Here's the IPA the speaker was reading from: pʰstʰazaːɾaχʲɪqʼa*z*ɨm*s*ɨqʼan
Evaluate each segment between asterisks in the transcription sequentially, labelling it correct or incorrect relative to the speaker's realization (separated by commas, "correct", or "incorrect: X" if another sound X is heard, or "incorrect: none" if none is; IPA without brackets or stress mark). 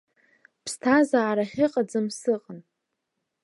incorrect: d͡z, correct